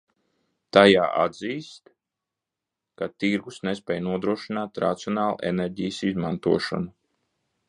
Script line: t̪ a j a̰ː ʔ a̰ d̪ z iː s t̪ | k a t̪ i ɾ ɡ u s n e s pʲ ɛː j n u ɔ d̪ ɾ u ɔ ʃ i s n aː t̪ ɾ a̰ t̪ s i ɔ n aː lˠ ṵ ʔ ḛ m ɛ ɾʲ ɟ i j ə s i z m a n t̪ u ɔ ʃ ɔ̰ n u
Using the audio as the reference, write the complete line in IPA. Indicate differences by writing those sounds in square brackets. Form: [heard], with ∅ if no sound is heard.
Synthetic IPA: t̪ a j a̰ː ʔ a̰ d̪ z iː s t̪ | k a t̪ i ɾ ɡ u s n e s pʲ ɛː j n u ɔ d̪ ɾ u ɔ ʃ i [∅] n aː t̪ ɾ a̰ t̪ s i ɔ n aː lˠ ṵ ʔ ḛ [n] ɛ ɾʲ ɟ i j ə s i z m a n t̪ u ɔ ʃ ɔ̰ n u

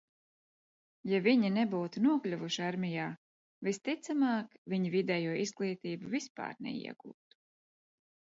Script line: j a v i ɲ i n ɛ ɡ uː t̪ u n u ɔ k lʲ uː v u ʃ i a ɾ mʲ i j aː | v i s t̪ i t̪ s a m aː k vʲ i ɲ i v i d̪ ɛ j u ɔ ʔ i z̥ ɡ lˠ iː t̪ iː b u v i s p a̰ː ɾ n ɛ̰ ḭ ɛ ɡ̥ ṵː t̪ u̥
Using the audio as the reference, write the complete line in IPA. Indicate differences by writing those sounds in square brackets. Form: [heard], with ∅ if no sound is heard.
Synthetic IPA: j a v i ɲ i n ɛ [b] uː t̪ u n u ɔ k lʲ [u] v u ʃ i a ɾ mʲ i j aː | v i s t̪ i t̪ s a m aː k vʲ i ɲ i v i d̪ ɛ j u ɔ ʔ i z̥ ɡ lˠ iː t̪ iː b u v i s p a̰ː ɾ n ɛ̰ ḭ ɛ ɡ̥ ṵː t̪ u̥

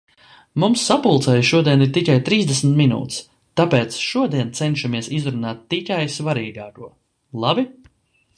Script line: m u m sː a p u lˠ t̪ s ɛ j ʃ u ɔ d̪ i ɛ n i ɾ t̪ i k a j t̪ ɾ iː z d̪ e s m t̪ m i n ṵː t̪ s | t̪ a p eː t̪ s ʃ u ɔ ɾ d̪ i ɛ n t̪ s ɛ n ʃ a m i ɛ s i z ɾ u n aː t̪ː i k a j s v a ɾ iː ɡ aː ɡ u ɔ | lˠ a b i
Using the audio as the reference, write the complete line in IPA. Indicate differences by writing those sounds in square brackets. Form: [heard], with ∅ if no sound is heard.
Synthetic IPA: m u m sː a p u lˠ t̪ s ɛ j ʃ u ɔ d̪ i ɛ n i ɾ t̪ i k a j t̪ ɾ iː z d̪ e s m t̪ m i n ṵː t̪ s | t̪ a p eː t̪ s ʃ u ɔ [∅] d̪ i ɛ n t̪ s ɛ n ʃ a m i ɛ s i z ɾ u n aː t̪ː i k a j s v a ɾ iː ɡ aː [k] u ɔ | lˠ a b i

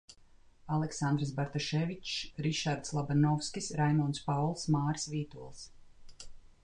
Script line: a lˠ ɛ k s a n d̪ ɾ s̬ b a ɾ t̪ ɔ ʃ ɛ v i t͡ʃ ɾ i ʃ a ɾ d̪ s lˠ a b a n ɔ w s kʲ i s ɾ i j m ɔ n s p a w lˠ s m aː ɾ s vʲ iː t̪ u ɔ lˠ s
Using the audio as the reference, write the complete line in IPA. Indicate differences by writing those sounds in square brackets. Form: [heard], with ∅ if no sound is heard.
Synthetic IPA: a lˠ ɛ k s a n d̪ ɾ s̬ b a ɾ t̪ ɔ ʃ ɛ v i t͡ʃ ɾ i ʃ a ɾ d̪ s lˠ a b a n ɔ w s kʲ i s ɾ [a] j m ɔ n s p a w lˠ s m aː ɾ s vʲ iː t̪ u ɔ lˠ s

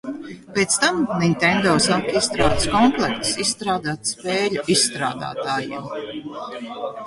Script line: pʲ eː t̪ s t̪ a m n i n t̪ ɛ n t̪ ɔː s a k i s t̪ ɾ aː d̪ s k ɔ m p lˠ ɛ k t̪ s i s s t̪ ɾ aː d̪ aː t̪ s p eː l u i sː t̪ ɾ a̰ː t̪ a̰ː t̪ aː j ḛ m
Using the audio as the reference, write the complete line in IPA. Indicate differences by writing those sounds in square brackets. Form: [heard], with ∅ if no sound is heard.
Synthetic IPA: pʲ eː t̪ s t̪ a m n i n t̪ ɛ n [d̪] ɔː s a k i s t̪ ɾ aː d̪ s k ɔ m p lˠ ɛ k t̪ s i s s t̪ ɾ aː d̪ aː t̪ s p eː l u i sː t̪ ɾ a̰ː [d̪] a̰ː t̪ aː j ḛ m

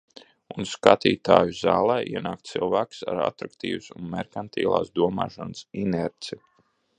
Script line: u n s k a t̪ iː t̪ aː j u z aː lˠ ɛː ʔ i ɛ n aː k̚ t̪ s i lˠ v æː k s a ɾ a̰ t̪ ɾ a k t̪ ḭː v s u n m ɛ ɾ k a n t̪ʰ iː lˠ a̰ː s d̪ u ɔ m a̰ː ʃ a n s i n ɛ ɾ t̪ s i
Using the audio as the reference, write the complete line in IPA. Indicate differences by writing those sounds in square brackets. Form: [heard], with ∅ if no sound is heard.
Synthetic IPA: u n s k a t̪ iː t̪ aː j u z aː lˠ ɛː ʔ i ɛ n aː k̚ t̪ s i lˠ v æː k s a ɾ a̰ t̪ ɾ a k t̪ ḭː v s u n m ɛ ɾ k a n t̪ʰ iː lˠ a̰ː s d̪ u ɔ m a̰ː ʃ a n s i n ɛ ɾ t̪ s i

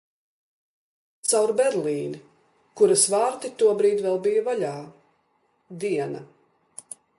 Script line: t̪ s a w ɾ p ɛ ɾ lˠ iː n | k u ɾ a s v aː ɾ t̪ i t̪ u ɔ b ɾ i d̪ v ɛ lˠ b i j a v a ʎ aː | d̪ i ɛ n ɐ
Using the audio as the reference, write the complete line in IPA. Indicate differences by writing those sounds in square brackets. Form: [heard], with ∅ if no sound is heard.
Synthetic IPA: t̪ s a w ɾ [b] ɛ ɾ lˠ iː n | k u ɾ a s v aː ɾ t̪ i t̪ u ɔ b ɾ [iː] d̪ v ɛ lˠ b i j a v a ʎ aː | d̪ i ɛ n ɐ

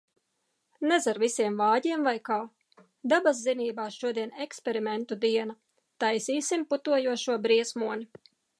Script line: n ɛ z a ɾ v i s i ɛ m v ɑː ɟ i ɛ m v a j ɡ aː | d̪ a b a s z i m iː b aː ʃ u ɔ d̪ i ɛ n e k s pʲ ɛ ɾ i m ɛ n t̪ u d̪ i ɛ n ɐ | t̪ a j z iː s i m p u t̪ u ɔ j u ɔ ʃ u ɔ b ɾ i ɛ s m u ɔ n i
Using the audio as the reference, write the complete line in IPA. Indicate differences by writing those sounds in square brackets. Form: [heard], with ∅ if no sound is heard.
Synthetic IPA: n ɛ z a ɾ v i s i ɛ m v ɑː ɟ i ɛ m v a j [k] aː | d̪ a b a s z i [n] iː b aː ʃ u ɔ d̪ i ɛ n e k s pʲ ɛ ɾ i m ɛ n t̪ u d̪ i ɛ n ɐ | t̪ a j [s] iː s i m p u t̪ u ɔ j u ɔ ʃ u ɔ b ɾ i ɛ s m u ɔ n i

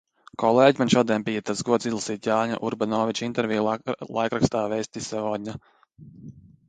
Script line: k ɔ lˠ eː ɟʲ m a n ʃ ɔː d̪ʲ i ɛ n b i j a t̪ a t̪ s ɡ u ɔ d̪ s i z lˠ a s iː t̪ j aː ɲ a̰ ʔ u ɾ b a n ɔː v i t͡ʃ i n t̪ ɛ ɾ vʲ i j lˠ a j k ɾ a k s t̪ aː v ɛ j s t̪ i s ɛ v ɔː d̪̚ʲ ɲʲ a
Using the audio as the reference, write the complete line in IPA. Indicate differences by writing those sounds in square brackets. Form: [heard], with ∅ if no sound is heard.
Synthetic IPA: k ɔ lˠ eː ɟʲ m a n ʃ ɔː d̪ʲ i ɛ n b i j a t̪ a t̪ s ɡ u ɔ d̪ s i z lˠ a s iː t̪ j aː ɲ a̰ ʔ u ɾ b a n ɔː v i t͡ʃ i n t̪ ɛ ɾ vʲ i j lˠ a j k ɾ a k s t̪ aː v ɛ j s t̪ i s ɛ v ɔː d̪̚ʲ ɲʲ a

